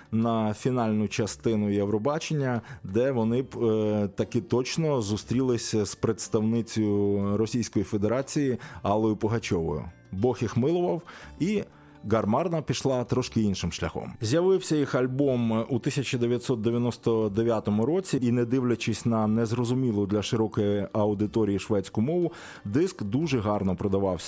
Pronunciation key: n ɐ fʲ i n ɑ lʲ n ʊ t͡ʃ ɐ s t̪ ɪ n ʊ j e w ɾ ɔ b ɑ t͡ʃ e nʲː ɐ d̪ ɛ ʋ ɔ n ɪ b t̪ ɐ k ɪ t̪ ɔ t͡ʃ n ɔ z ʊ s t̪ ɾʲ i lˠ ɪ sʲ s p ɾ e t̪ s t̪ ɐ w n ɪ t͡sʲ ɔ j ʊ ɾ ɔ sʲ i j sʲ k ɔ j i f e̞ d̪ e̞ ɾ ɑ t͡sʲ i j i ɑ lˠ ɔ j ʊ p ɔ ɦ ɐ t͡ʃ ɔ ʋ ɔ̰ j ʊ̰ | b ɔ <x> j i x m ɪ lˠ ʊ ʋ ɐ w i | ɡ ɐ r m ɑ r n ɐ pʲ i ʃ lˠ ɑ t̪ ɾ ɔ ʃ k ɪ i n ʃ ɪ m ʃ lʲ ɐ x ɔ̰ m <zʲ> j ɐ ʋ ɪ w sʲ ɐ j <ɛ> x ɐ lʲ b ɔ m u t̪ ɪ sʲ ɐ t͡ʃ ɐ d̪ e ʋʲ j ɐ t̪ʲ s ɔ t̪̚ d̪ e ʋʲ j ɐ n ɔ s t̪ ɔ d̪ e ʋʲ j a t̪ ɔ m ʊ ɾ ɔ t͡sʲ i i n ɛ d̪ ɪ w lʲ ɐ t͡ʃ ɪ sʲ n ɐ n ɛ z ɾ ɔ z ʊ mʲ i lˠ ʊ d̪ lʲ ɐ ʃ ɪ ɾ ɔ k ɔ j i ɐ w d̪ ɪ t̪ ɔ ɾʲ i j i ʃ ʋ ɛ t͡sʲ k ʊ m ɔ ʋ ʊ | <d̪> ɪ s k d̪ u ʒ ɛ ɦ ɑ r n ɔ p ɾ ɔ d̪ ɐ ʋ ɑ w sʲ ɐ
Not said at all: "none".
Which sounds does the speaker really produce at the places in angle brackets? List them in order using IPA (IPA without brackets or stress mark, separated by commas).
x, zʲ, i, d̪